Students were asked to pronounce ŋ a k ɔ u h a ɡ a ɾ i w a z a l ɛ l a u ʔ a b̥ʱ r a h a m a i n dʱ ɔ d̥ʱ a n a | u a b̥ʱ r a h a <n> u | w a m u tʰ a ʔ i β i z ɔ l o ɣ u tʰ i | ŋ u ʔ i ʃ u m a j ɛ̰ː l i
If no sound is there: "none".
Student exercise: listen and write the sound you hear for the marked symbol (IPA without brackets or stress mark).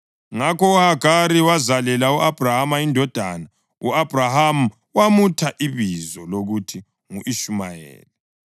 m